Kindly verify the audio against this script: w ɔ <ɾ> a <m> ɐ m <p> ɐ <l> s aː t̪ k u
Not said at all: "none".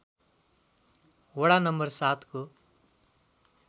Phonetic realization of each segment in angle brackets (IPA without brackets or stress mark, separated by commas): ɽ, n, b, ɾ